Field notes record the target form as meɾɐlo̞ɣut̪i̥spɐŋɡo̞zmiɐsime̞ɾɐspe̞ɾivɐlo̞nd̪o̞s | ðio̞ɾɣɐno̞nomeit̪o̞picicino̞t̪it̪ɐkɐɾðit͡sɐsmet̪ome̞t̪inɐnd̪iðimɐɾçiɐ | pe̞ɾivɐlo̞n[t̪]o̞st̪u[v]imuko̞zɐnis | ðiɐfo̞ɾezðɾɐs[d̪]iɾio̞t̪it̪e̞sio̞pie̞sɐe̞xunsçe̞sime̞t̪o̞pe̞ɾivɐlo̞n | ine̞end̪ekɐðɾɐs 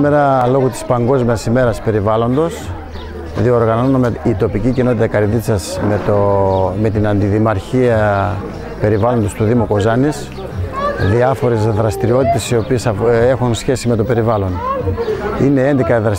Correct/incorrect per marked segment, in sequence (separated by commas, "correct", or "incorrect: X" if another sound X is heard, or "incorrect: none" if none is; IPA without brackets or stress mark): incorrect: d̪, incorrect: ð, incorrect: t̪